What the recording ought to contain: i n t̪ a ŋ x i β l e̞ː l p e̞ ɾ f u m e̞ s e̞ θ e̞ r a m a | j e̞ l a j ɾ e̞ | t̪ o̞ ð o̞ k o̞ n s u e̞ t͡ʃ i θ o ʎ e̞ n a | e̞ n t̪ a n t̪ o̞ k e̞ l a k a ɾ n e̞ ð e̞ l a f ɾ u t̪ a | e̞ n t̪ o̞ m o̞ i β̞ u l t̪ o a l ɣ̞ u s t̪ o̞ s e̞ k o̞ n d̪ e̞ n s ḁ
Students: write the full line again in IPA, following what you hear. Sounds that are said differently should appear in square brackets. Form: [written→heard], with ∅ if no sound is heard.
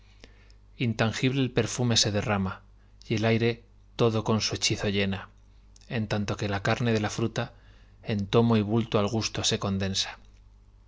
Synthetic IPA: i n t̪ a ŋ x i β l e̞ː l p e̞ ɾ f u m e̞ s e̞ [θ→ð] e̞ r a m a | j e̞ l a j ɾ e̞ | t̪ o̞ ð o̞ k o̞ n s u e̞ t͡ʃ i θ o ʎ e̞ n a | e̞ n t̪ a n t̪ o̞ k e̞ l a k a ɾ n e̞ ð e̞ l a f ɾ u t̪ a | e̞ n t̪ o̞ m o̞ i β̞ u l t̪ o a l ɣ̞ u s t̪ o̞ s e̞ k o̞ n d̪ e̞ n s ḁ